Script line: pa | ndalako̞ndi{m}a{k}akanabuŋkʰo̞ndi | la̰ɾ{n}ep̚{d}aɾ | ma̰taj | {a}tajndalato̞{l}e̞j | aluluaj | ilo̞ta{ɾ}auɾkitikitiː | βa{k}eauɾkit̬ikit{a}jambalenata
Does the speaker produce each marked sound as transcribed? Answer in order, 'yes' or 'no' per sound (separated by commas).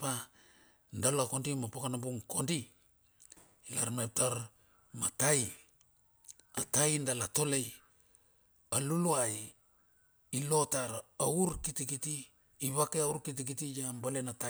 yes, no, no, no, yes, yes, yes, yes, no